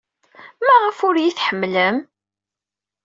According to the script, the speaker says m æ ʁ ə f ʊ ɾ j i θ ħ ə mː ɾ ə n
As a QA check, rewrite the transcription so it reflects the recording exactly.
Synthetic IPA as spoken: m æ ʁ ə f ʊ ɾ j i θ ħ ə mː l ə m